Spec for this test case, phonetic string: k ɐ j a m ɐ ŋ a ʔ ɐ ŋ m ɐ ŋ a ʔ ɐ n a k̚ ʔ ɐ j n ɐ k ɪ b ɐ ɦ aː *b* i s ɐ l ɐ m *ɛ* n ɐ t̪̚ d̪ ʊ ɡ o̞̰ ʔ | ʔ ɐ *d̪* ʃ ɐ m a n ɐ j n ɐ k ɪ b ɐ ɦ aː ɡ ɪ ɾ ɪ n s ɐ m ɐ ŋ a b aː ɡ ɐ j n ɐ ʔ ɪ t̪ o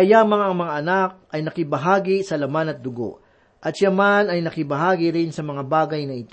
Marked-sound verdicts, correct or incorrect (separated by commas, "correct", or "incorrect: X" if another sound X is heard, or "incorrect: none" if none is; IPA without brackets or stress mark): incorrect: ɡ, incorrect: a, incorrect: t̪